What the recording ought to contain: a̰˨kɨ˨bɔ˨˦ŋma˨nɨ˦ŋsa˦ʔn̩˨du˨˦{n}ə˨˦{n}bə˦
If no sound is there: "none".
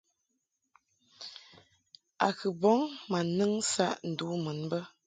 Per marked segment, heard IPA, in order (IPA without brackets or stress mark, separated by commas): m, n